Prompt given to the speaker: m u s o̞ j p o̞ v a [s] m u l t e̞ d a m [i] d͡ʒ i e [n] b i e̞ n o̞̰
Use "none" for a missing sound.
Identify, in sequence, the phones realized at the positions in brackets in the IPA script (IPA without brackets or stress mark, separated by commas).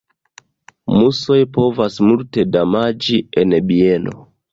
s, a, n